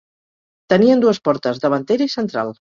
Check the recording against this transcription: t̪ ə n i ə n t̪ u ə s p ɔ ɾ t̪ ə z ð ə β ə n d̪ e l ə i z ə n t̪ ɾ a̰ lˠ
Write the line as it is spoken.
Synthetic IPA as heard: t̪ ə n i ə n d̪ u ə s p ɔ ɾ t̪ ə z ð ə β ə n t̪ e ɾ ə i s ə n t̪ ɾ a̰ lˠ